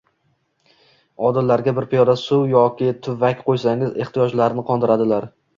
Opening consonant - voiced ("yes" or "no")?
yes